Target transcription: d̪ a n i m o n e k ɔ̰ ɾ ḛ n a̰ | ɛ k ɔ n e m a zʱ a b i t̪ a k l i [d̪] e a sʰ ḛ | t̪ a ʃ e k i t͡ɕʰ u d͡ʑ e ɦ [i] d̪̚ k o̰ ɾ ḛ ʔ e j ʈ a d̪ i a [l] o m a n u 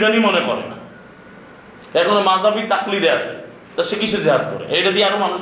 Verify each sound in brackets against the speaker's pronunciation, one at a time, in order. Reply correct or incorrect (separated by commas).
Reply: correct, incorrect, incorrect